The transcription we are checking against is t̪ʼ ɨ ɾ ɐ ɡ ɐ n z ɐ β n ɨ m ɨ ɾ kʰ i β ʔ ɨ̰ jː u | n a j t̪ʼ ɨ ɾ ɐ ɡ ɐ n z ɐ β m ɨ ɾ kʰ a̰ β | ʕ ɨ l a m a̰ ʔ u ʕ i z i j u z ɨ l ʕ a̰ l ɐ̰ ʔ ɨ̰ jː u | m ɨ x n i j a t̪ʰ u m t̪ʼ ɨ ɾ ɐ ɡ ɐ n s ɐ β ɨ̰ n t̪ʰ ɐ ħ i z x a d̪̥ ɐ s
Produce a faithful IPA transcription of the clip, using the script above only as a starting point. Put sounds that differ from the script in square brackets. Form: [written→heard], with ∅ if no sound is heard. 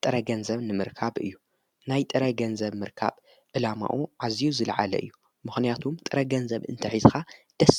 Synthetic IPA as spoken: t̪ʼ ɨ ɾ ɐ ɡ ɐ n z ɐ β n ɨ m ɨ ɾ kʰ [i→a] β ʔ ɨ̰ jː u | n a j t̪ʼ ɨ ɾ ɐ ɡ ɐ n z ɐ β m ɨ ɾ kʰ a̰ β | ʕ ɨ l a m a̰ ʔ u ʕ [i→a] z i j u z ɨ l ʕ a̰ l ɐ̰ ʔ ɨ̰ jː u | m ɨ x n i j a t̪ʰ u m t̪ʼ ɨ ɾ ɐ ɡ ɐ n [s→z] ɐ β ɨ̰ n t̪ʰ ɐ ħ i z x a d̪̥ ɐ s

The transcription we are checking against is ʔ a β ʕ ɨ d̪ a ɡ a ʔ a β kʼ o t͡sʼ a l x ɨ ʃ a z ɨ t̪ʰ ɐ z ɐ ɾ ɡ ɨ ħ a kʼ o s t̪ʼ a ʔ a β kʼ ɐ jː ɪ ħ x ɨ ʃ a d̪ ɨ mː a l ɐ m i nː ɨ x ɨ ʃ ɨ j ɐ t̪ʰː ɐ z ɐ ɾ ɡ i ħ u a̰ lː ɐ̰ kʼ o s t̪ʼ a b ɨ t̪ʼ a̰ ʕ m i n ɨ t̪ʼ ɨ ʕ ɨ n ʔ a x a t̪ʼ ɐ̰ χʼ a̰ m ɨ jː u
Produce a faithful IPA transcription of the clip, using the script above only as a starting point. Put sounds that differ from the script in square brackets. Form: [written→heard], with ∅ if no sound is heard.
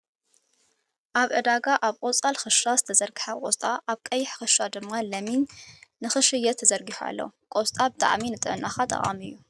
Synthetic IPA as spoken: ʔ a β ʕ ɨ d̪ a ɡ a ʔ a β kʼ o t͡sʼ a l x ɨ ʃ a z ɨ t̪ʰ ɐ z ɐ ɾ ɡ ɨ ħ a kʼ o s t̪ʼ a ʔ a β kʼ ɐ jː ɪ ħ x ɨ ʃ a d̪ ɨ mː a l ɐ m i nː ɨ x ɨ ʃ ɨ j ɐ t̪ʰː ɐ z ɐ ɾ ɡ i ħ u a̰ lː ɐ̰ kʼ o s t̪ʼ a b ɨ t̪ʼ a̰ ʕ m i n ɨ t̪ʼ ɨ ʕ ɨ n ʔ a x a t̪ʼ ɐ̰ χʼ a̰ m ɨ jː u

